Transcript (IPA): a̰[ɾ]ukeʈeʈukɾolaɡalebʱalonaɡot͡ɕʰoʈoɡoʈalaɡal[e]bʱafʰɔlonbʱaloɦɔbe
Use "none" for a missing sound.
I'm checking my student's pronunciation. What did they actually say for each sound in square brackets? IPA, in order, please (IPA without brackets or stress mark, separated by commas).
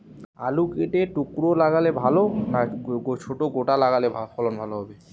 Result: l, e